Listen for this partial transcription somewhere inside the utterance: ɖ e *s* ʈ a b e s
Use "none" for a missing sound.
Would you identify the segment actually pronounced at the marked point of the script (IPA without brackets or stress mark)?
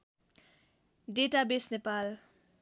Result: none